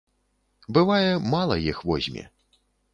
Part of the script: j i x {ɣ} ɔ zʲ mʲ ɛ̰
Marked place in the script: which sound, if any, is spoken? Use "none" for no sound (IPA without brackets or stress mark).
v